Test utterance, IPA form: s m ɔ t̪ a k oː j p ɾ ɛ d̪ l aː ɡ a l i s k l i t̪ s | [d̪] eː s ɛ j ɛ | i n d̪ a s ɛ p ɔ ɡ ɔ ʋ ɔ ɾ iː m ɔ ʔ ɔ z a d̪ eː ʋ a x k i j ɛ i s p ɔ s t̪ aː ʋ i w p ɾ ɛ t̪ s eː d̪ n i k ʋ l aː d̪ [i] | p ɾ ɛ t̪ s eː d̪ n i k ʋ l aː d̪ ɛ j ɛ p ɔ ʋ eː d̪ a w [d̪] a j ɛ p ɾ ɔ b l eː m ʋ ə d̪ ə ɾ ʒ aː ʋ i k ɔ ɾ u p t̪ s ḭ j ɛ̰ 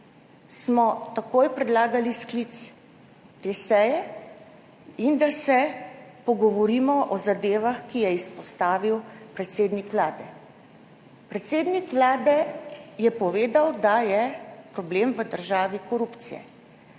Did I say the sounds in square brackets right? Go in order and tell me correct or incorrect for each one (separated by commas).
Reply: incorrect, incorrect, correct